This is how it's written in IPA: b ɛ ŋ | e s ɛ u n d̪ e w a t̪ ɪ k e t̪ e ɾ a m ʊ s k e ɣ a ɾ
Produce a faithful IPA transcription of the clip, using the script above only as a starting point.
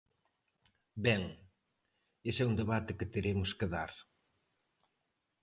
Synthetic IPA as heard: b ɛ ŋ | e s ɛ u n d̪ e β a t̪ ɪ k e t̪ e ɾ e m ʊ s k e ð a ɾ